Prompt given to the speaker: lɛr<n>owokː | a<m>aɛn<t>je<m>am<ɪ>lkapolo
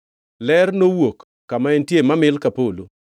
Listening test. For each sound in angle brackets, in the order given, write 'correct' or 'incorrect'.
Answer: correct, correct, correct, correct, correct

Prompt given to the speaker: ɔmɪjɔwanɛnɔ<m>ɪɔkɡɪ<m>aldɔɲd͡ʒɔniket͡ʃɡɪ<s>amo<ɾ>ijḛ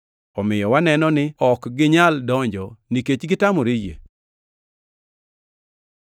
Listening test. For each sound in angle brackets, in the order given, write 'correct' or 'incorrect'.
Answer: incorrect: n, incorrect: ɲ, incorrect: t, correct

